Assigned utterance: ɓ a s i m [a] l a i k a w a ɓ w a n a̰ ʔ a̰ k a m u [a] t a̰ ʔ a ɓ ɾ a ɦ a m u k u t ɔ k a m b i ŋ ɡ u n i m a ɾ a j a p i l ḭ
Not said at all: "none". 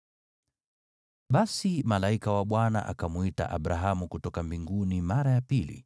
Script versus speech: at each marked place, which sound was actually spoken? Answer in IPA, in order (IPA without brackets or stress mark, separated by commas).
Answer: a, i